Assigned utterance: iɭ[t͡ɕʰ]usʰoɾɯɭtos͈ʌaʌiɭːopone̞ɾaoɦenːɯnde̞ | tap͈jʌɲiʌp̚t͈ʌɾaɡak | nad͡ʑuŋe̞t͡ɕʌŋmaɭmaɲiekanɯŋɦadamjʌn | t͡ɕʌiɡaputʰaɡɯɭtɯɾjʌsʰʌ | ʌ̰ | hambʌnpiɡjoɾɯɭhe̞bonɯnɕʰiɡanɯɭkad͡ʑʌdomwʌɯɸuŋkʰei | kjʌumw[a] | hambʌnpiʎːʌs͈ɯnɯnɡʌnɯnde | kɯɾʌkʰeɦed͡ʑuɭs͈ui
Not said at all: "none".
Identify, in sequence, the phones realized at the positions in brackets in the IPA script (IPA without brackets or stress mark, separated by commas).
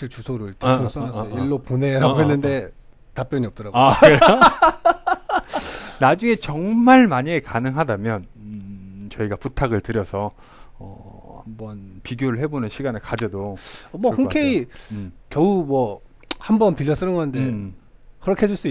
t͡ɕ, ʌ